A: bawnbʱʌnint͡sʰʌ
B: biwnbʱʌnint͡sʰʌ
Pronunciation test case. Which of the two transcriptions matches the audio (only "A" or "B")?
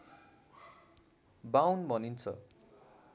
A